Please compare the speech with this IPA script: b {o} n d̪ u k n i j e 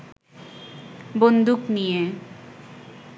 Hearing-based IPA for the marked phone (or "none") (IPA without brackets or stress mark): o